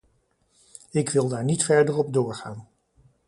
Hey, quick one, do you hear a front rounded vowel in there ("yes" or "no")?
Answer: no